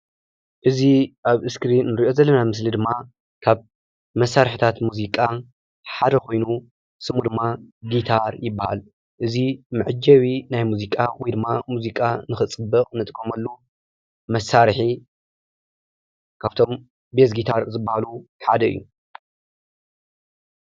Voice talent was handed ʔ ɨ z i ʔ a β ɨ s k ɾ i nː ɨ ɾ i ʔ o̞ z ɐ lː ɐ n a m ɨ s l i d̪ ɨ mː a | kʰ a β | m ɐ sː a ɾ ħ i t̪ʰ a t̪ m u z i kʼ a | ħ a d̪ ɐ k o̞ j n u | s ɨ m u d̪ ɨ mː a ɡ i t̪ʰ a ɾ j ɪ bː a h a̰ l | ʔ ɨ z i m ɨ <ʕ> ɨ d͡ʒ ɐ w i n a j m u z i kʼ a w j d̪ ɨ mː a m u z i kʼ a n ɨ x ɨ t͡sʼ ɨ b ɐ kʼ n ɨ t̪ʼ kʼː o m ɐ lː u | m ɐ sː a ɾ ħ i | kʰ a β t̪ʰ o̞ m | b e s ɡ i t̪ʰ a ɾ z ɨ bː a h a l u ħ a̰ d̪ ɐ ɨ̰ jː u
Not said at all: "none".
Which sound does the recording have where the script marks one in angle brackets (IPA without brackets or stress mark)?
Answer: ʕ